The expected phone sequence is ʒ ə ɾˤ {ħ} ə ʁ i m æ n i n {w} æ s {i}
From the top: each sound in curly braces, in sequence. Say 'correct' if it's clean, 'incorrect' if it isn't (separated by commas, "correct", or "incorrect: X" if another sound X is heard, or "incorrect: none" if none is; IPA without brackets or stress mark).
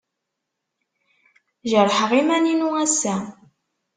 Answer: correct, incorrect: u, incorrect: æ